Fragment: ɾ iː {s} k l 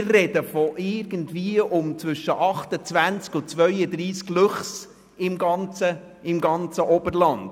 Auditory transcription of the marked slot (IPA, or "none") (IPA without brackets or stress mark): s